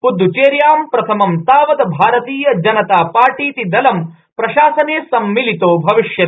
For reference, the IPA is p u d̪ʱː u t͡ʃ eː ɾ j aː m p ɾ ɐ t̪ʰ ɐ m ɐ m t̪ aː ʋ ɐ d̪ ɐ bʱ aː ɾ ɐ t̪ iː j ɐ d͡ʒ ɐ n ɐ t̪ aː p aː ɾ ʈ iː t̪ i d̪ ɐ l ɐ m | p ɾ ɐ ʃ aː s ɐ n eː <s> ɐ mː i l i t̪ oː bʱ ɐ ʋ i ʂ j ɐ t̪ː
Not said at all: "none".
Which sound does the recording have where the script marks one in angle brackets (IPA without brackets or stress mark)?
s